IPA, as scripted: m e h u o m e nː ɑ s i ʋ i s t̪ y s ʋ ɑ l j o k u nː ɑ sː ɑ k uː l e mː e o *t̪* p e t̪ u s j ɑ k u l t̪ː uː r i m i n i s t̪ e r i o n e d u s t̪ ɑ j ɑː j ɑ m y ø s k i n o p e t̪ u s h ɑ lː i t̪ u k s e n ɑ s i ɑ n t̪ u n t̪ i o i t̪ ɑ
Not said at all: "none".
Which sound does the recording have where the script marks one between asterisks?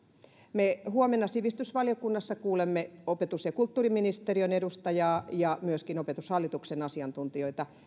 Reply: none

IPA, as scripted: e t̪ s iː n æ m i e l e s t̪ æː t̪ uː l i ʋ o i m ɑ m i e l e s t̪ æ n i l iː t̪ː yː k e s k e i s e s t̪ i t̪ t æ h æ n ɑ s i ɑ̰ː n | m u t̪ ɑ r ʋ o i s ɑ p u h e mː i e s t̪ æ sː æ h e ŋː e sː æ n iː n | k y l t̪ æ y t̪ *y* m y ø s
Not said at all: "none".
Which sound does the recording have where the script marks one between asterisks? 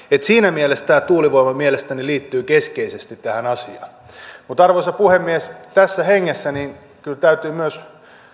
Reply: yː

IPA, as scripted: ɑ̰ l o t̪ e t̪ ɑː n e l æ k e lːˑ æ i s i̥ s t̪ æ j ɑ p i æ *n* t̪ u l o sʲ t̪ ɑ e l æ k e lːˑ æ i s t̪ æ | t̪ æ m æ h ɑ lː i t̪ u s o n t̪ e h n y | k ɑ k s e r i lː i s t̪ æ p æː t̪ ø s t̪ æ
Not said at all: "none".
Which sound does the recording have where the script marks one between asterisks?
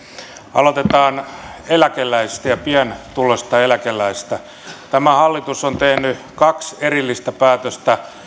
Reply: n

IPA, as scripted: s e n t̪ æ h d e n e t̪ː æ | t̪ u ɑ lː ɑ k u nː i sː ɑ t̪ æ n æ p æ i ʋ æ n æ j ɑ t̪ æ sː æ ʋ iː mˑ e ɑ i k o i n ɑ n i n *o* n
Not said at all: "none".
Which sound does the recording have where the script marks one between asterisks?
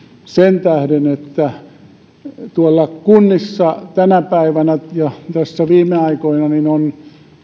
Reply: o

